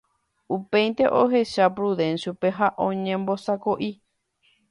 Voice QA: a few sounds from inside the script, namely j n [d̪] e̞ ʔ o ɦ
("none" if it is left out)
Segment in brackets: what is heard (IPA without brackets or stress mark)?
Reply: t̪